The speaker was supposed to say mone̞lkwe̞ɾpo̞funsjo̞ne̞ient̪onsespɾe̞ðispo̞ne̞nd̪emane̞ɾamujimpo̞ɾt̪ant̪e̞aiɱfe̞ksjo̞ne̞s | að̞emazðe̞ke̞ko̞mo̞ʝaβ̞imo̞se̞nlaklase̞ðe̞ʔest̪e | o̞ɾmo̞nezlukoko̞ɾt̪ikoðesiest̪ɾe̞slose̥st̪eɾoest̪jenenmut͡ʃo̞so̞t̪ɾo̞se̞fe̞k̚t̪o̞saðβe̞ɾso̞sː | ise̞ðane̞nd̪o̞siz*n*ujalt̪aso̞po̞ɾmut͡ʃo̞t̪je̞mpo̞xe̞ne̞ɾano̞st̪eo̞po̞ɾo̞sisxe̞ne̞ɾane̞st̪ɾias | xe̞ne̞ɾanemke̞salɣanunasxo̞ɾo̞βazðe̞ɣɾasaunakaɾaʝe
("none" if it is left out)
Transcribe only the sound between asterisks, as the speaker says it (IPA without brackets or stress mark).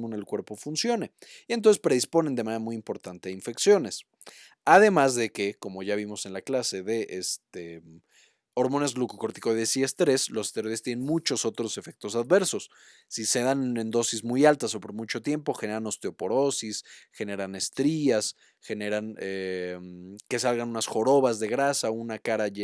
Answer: m